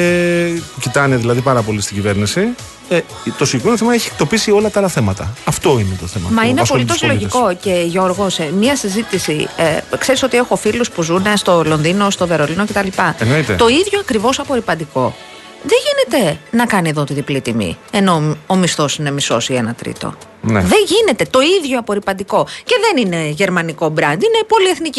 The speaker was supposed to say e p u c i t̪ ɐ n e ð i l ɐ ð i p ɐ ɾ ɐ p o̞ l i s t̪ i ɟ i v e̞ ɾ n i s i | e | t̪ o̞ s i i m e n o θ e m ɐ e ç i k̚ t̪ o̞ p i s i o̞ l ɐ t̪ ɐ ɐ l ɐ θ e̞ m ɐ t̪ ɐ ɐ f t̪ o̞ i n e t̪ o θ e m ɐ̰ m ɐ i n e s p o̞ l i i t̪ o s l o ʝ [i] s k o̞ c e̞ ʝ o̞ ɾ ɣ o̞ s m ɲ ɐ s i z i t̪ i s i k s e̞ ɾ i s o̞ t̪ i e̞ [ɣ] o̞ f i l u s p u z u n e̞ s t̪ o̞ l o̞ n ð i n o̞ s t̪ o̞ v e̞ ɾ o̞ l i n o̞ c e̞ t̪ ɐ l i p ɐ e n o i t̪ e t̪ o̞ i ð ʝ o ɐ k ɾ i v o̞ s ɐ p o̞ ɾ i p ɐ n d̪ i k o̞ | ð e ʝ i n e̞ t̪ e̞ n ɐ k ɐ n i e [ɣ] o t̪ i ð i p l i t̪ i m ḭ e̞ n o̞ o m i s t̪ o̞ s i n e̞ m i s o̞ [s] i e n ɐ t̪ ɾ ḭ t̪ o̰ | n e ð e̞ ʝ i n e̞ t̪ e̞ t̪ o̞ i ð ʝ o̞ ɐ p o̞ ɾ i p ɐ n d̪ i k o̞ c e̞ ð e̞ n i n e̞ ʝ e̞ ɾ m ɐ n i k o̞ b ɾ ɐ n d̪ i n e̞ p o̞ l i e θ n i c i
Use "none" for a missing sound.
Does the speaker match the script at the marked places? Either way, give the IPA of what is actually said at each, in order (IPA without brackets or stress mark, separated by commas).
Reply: i, x, ð, s